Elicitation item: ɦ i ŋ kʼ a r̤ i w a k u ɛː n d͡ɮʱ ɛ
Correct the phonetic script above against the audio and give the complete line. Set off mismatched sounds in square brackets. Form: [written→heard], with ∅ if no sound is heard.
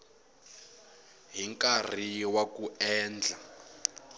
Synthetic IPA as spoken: ɦ i ŋ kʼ a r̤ i w a k u ɛː n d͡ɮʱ [ɛ→a]